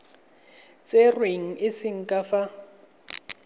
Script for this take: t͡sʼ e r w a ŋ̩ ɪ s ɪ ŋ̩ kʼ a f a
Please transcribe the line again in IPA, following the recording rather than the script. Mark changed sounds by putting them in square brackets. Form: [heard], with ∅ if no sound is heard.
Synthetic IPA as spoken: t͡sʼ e r w [e] ŋ̩ ɪ s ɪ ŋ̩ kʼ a f a